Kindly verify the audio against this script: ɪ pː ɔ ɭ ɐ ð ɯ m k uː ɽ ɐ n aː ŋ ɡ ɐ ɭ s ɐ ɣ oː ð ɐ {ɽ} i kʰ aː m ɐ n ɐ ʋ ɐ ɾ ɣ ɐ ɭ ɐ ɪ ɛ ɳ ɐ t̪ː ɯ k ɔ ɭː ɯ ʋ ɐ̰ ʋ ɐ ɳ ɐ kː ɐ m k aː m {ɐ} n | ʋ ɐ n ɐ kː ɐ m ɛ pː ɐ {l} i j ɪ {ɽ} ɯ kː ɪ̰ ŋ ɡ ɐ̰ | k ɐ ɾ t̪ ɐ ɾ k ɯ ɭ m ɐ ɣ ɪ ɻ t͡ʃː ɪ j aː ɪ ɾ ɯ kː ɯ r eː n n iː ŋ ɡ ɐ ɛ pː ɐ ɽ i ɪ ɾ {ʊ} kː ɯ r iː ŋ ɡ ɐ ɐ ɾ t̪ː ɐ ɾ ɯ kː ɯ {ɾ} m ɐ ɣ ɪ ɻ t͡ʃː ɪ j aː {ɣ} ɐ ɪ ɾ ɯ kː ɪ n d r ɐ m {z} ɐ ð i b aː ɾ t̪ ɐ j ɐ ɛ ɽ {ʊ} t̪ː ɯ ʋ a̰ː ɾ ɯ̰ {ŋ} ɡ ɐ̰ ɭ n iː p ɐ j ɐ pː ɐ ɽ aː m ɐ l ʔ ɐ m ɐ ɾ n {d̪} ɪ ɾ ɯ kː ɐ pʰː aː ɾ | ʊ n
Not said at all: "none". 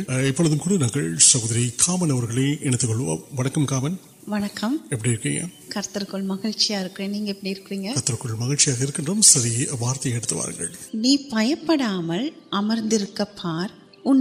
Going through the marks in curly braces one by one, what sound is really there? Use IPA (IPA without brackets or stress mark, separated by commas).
ɾ, ɐ, ɽ, ɾ, ɯ, ɭ, ɣ, s, ɯ, ŋ, d̪